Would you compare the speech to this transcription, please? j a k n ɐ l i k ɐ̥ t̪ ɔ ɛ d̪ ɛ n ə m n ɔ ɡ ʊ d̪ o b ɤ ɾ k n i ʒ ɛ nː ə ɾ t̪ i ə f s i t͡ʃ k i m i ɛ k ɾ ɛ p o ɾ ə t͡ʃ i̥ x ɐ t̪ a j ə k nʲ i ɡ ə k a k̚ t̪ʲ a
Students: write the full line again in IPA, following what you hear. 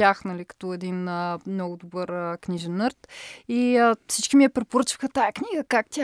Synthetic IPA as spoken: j a x n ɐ l i k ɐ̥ t̪ ɔ ɛ d̪ i n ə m n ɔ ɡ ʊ d̪ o b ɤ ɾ k n i ʒ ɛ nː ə ɾ t̪ i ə f s i t͡ʃ k i m i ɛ p ɾ ɛ p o ɾ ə t͡ʃ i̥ x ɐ t̪ a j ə k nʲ i ɡ ə k a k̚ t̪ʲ a